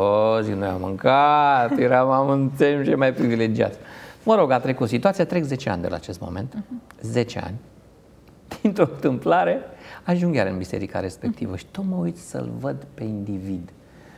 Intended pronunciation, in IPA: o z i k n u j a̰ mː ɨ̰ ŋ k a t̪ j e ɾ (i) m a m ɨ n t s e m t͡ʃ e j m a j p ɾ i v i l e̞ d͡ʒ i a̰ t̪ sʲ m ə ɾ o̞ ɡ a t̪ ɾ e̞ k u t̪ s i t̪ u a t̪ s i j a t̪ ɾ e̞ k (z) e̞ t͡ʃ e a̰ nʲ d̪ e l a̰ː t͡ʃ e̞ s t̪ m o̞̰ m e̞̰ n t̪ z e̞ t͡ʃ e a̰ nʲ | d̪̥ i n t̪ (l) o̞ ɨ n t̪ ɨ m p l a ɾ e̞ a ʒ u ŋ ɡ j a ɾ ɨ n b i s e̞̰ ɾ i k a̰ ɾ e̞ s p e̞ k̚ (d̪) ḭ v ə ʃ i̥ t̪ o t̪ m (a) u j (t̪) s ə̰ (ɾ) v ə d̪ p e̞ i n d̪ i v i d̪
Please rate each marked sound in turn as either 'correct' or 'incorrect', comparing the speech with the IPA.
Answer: incorrect, correct, incorrect, incorrect, incorrect, correct, incorrect

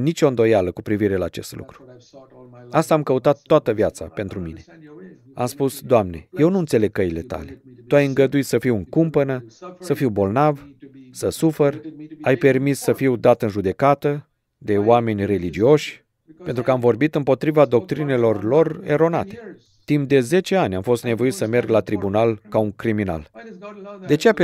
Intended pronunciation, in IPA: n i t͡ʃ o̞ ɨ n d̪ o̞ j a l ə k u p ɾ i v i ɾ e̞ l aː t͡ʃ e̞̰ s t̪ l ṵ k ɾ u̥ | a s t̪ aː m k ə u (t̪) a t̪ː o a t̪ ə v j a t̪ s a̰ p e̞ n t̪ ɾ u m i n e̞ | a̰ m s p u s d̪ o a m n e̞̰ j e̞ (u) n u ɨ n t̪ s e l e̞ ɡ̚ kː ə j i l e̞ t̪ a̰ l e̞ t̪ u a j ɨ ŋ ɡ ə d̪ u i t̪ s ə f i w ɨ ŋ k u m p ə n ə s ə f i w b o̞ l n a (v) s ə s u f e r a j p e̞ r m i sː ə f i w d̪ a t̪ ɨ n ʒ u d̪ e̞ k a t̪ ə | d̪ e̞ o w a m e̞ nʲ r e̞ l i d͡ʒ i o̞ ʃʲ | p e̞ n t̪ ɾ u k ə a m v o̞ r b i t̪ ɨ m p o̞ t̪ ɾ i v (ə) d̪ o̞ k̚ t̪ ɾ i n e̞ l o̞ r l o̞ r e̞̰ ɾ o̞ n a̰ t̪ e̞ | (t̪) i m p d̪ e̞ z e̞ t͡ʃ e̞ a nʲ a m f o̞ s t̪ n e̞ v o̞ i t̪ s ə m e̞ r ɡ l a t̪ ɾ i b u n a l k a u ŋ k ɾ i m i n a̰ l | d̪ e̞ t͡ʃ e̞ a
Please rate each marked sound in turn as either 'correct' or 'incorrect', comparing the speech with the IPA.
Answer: correct, incorrect, correct, incorrect, correct

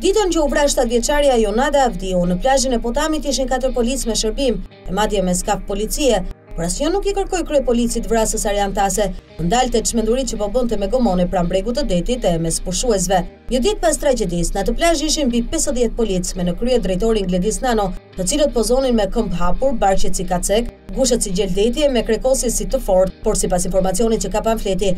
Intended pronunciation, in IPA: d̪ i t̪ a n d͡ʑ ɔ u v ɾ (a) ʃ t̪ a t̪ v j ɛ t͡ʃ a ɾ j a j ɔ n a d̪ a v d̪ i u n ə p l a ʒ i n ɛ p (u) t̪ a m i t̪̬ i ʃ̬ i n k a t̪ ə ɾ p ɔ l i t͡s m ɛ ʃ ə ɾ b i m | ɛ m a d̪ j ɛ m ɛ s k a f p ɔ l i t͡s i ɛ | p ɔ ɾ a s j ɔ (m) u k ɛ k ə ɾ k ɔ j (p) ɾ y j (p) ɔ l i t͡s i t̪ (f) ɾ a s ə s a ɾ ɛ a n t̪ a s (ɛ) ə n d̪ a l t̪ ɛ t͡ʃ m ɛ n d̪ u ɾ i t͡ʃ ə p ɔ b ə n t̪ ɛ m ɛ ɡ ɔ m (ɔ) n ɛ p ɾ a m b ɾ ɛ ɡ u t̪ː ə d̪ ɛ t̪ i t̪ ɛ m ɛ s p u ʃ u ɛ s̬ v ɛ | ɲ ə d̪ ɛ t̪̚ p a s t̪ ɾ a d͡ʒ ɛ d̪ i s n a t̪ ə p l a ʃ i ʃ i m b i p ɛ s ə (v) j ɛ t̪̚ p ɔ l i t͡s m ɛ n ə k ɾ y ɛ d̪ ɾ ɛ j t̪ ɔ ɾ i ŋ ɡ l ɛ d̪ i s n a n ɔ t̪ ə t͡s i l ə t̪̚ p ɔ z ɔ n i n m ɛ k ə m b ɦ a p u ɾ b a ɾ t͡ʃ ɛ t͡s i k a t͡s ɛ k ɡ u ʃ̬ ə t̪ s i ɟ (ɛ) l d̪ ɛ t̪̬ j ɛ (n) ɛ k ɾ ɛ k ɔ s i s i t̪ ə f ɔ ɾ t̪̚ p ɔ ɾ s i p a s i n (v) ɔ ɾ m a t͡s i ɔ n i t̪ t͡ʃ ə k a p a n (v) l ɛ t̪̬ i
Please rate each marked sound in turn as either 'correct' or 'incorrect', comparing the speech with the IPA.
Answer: correct, incorrect, incorrect, incorrect, correct, incorrect, correct, correct, incorrect, correct, incorrect, incorrect, incorrect

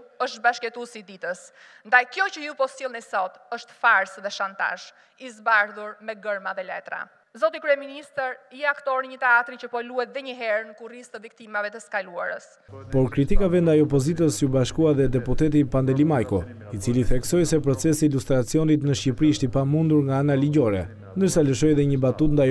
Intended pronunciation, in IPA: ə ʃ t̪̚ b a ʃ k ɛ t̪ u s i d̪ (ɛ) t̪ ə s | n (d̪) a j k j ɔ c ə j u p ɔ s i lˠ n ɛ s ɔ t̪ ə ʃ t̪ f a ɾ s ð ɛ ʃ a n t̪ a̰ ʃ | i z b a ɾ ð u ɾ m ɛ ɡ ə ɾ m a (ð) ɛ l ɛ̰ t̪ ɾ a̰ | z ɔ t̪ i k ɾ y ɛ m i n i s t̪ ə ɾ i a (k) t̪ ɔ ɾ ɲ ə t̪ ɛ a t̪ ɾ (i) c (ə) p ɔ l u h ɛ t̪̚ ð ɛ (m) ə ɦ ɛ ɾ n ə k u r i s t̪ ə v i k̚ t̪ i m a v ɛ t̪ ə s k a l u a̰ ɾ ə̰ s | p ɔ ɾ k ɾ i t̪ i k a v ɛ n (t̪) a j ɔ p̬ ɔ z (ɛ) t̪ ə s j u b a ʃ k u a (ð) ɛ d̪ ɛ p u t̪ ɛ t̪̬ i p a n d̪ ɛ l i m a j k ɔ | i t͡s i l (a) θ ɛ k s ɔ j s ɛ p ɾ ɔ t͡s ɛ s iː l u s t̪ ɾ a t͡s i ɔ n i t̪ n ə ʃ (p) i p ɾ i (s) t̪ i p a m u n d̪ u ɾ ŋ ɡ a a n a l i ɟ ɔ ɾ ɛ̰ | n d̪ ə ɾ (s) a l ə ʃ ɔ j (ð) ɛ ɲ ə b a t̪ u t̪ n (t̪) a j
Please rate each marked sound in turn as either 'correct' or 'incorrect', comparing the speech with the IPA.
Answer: incorrect, correct, correct, correct, correct, correct, incorrect, incorrect, incorrect, correct, incorrect, incorrect, incorrect, correct, correct, incorrect

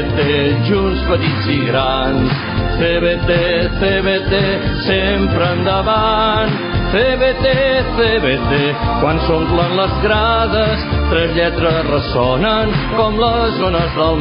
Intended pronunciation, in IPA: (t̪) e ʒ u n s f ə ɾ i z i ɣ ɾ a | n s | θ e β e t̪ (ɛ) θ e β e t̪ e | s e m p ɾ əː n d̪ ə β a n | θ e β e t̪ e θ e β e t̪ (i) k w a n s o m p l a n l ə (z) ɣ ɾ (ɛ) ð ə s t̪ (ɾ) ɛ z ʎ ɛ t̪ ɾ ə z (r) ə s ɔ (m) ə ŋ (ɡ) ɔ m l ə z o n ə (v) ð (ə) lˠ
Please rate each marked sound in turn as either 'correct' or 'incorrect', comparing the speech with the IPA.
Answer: correct, incorrect, incorrect, correct, incorrect, correct, correct, incorrect, incorrect, incorrect, correct

